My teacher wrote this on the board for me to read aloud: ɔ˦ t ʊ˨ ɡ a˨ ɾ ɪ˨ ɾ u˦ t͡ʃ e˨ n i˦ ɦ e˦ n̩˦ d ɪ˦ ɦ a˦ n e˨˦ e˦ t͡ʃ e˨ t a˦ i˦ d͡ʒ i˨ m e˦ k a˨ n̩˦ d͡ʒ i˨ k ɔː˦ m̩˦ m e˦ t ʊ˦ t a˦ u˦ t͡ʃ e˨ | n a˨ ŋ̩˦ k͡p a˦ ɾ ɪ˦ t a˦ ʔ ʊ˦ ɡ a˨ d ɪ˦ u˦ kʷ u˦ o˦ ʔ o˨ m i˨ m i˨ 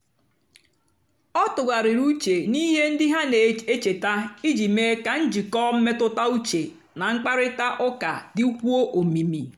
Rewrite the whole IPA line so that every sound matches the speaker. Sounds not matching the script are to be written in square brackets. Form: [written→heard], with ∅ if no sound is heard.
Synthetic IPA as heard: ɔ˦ t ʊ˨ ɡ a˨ ɾ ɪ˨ ɾ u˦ t͡ʃ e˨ n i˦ ɦ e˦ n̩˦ d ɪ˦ ɦ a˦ n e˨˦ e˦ t͡ʃ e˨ t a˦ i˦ d͡ʒ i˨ m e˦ k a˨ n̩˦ d͡ʒ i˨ k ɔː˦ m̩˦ m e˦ t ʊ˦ t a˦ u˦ t͡ʃ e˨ | n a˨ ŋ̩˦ k͡p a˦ ɾ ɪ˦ t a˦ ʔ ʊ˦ [ɡ→k] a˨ d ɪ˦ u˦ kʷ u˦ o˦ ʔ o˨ m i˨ m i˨